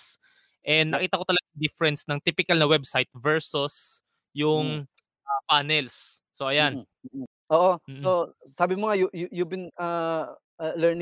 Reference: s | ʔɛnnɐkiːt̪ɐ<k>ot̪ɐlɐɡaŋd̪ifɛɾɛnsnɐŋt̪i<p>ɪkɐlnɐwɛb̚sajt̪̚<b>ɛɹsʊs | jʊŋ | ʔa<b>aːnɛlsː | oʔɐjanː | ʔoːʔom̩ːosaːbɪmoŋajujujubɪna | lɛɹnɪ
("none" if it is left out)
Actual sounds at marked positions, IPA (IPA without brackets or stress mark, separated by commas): k, p, v, p